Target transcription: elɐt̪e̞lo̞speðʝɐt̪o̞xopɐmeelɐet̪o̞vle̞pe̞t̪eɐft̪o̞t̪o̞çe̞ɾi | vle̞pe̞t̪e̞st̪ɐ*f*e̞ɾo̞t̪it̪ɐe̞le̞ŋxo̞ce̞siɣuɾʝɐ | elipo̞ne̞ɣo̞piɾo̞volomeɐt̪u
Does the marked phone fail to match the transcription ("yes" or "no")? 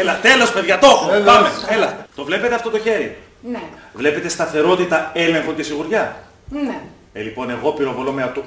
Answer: yes